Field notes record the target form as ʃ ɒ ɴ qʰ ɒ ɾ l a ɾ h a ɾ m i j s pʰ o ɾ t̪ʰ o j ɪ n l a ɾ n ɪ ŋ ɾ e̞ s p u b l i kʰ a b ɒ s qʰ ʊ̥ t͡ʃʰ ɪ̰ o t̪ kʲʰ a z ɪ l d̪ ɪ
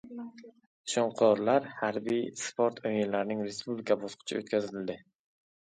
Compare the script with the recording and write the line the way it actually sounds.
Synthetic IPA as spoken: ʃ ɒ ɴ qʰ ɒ ɾ l a ɾ h a ɾ b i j s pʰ o ɾ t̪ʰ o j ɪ n l a ɾ n ɪ ŋ ɾ e̞ s p u b l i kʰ a b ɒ s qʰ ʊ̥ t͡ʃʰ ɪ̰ o t̪ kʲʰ a z ɪ l d̪ ɪ